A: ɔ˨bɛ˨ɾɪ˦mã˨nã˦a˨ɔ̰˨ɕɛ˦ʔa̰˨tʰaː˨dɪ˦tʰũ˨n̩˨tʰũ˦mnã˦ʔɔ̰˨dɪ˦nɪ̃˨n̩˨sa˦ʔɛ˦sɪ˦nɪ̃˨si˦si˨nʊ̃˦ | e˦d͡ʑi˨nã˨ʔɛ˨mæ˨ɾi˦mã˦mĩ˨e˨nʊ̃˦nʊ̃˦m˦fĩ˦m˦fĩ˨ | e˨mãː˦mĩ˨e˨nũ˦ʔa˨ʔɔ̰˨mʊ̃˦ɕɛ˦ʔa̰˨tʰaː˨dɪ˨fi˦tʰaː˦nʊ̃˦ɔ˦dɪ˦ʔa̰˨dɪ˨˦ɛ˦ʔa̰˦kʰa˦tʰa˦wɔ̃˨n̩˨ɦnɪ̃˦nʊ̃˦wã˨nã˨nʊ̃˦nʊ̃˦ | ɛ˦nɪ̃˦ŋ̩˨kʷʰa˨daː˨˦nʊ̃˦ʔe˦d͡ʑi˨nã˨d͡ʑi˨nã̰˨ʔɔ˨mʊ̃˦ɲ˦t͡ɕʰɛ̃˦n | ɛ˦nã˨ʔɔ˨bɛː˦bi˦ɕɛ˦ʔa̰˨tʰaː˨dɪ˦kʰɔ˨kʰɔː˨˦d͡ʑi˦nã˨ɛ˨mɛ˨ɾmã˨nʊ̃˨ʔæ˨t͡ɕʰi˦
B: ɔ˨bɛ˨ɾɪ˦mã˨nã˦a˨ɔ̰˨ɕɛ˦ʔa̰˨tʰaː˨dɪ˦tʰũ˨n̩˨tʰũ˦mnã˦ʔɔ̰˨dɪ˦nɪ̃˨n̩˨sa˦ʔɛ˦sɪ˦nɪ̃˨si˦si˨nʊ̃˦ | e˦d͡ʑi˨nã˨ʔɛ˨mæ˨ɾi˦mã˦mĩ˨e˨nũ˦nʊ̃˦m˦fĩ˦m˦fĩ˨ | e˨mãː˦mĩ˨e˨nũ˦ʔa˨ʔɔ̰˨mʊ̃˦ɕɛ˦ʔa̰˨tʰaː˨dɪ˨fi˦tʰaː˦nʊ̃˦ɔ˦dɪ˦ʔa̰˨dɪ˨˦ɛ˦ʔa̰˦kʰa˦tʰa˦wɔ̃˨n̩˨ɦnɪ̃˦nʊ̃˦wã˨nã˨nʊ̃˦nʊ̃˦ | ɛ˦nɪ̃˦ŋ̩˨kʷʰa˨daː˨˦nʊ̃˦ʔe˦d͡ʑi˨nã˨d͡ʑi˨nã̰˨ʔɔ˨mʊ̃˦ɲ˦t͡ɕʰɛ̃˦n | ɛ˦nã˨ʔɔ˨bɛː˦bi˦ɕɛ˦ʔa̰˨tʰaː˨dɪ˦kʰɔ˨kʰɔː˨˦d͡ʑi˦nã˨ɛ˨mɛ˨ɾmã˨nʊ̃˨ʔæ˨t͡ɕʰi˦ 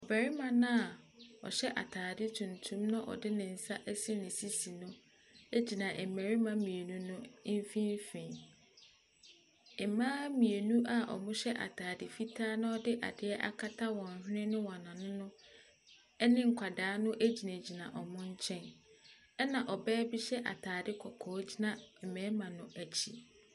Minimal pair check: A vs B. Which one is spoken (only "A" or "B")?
B